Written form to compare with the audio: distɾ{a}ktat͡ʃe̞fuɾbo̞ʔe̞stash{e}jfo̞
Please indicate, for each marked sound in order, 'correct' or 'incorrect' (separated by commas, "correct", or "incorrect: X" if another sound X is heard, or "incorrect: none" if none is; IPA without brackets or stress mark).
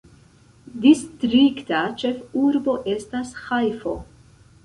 incorrect: i, incorrect: a